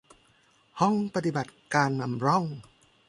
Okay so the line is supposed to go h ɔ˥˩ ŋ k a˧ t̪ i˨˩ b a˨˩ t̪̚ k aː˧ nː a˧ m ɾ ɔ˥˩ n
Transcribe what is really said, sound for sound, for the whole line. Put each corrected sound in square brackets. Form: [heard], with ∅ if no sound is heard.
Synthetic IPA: h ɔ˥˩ ŋ [p] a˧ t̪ i˨˩ b a˨˩ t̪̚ k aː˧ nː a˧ m ɾ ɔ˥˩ [ŋ]